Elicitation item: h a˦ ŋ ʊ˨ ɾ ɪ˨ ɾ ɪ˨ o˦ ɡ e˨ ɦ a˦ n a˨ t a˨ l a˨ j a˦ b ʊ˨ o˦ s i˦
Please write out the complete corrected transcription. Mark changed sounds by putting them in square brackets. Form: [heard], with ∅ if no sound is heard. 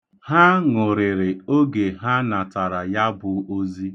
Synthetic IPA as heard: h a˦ ŋ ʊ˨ ɾ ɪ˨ ɾ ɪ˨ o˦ ɡ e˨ ɦ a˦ n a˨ t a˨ [ɾ] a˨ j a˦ b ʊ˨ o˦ [z] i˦

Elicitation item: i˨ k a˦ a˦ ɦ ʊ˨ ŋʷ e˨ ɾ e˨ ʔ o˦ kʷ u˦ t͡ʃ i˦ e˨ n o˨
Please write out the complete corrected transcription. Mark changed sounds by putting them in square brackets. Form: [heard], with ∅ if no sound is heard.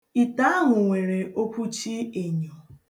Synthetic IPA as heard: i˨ [t] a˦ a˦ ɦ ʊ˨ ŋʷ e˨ ɾ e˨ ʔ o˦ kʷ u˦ t͡ʃ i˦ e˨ [ɲ] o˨

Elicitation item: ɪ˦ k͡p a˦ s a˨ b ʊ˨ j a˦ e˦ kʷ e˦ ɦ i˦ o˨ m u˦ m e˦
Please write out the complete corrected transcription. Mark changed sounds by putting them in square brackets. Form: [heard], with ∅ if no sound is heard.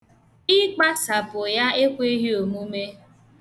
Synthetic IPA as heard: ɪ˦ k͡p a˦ s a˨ [p] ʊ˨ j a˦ e˦ kʷ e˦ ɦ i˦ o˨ m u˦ m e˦

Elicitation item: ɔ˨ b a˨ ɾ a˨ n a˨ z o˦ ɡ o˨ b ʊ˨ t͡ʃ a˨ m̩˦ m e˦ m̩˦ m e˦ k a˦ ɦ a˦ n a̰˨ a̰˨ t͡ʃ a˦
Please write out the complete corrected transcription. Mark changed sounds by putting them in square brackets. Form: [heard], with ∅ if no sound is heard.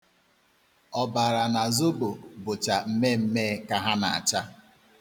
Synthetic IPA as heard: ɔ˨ b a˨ ɾ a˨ n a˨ z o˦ [b] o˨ b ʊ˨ t͡ʃ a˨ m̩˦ m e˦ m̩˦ m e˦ k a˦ ɦ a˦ n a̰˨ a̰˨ t͡ʃ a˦

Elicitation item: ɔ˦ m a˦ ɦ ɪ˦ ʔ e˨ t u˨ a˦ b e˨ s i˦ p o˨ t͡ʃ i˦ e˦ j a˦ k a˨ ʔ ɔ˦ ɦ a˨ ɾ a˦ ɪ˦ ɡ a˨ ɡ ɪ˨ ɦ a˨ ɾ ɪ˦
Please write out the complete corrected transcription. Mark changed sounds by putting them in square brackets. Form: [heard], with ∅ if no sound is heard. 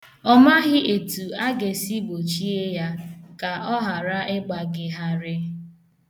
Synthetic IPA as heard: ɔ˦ m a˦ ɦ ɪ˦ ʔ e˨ t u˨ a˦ [ɡ] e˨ s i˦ [b] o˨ t͡ʃ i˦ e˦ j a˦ k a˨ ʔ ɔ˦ ɦ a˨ ɾ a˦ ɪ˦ [ɡ͡b] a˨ ɡ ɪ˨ ɦ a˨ ɾ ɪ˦

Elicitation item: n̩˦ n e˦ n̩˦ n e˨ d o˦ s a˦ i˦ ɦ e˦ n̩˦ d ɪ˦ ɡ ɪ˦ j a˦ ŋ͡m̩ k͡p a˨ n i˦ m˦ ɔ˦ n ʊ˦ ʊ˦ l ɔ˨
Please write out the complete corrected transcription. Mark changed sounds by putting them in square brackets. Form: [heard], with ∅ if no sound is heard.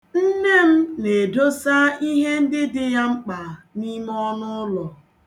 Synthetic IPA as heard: n̩˦ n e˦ [m̩˦] n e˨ d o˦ s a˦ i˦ ɦ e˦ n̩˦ d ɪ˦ [d] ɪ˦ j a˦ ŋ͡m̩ k͡p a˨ n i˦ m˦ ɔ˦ n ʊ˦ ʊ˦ l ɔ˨

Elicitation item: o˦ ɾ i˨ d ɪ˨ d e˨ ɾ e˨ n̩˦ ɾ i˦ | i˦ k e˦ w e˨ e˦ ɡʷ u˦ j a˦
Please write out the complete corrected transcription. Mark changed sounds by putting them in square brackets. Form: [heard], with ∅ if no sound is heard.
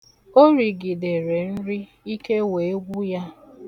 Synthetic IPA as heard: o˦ ɾ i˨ [ɡ] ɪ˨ d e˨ ɾ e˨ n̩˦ ɾ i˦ | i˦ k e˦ w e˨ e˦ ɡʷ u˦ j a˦

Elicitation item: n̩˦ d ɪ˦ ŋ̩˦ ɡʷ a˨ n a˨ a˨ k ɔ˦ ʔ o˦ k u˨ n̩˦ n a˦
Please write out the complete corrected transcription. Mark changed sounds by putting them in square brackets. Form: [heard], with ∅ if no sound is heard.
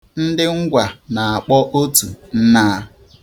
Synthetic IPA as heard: n̩˦ d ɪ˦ ŋ̩˦ ɡʷ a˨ n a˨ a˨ [k͡p] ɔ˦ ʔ o˦ [t] u˨ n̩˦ n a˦

